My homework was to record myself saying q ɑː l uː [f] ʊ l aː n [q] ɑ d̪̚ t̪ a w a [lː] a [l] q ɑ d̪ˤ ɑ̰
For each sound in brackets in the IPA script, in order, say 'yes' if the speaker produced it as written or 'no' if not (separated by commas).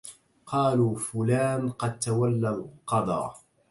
yes, yes, yes, yes